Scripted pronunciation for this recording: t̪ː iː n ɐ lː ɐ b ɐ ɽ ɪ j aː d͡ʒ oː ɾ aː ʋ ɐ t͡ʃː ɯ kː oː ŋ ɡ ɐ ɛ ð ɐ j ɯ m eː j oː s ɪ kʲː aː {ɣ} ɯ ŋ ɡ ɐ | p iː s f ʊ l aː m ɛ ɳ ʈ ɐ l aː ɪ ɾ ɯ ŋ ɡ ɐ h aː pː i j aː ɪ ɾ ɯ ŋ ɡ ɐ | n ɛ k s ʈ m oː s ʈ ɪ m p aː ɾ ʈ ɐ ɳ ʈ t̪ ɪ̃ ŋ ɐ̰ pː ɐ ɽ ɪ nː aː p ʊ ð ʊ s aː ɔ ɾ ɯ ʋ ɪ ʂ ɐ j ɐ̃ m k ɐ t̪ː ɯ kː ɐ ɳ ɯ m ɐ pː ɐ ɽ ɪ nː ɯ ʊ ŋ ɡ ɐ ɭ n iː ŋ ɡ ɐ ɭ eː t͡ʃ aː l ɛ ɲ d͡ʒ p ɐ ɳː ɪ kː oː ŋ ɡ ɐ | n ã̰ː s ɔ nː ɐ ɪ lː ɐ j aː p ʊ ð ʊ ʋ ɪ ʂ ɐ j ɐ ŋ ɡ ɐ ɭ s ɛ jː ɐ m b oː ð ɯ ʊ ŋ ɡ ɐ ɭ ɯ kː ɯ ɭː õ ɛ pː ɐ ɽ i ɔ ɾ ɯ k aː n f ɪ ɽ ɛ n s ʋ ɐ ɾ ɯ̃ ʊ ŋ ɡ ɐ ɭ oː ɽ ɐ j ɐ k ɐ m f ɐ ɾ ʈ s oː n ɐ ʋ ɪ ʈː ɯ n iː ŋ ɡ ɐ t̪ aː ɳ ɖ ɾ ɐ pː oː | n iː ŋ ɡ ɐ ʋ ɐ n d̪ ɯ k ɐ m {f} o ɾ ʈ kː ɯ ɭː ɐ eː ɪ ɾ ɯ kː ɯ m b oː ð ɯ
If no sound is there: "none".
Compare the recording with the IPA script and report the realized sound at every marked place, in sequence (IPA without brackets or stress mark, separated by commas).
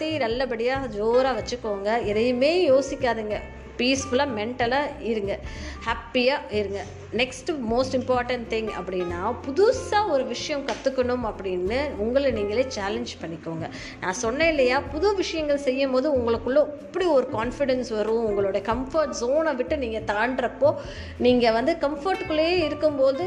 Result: ð, f